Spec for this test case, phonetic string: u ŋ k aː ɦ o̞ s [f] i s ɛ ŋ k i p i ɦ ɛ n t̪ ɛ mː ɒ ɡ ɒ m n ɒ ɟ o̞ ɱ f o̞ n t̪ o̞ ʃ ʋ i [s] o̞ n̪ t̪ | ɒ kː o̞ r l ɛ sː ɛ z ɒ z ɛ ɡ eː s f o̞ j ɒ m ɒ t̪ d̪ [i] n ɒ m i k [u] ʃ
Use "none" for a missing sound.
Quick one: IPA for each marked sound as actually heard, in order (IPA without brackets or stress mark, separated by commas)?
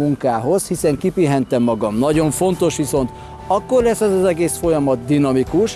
h, s, i, u